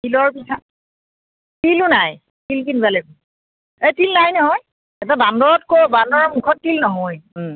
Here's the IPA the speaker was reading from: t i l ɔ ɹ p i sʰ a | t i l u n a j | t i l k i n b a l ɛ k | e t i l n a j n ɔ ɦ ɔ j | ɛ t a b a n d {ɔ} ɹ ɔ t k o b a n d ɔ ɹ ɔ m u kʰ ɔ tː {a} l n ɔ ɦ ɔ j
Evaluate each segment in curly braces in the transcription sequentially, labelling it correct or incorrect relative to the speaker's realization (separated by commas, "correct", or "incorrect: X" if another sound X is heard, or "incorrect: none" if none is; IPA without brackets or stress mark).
correct, incorrect: i